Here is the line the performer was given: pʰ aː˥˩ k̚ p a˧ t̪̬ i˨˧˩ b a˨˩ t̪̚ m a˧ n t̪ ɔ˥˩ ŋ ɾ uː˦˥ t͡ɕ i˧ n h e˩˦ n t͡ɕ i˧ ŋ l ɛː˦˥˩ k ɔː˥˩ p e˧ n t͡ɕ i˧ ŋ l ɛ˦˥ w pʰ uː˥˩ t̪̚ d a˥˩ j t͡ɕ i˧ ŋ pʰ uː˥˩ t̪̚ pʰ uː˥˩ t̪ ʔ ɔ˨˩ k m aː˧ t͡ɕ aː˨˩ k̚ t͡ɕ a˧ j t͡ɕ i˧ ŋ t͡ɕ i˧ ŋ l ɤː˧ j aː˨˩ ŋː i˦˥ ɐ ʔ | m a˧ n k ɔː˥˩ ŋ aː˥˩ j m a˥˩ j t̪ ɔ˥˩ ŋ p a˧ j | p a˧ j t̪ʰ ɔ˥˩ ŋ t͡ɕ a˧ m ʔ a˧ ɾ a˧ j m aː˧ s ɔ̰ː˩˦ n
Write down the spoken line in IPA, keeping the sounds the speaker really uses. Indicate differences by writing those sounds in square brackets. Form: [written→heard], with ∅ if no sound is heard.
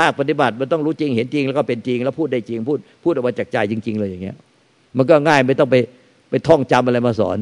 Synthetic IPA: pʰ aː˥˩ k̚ p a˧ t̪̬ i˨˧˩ b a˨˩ t̪̚ m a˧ n t̪ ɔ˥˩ ŋ ɾ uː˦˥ t͡ɕ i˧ [n→ŋ] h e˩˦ n t͡ɕ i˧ ŋ l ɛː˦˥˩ k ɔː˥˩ p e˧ n t͡ɕ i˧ ŋ l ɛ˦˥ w pʰ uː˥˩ t̪̚ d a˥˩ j t͡ɕ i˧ ŋ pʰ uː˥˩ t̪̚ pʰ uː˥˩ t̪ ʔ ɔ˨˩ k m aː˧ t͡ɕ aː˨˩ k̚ t͡ɕ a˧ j t͡ɕ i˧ ŋ t͡ɕ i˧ ŋ l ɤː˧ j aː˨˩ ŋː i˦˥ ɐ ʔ | m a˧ n k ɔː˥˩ ŋ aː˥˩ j m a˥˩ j t̪ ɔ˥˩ ŋ p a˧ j | p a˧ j t̪ʰ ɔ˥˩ ŋ t͡ɕ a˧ m ʔ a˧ ɾ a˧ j m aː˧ s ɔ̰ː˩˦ n